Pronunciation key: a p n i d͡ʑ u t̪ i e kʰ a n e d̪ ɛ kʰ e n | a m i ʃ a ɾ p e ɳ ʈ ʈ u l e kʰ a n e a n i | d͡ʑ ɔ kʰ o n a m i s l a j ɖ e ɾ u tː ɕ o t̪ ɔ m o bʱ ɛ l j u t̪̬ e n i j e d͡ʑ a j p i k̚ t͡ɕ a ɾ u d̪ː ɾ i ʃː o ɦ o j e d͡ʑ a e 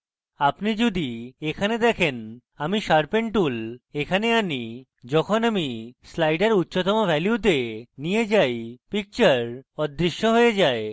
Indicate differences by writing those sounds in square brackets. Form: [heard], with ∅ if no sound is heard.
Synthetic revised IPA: a p n i d͡ʑ u [d̪] i e kʰ a n e d̪ ɛ kʰ e n | a m i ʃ a ɾ p e ɳ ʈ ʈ u l e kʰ a n e a n i | d͡ʑ ɔ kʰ o n a m i s l a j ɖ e ɾ u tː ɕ o t̪ ɔ m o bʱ ɛ l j u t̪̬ e n i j e d͡ʑ a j p i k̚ t͡ɕ a ɾ [ɔ] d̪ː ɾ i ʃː o ɦ o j e d͡ʑ a e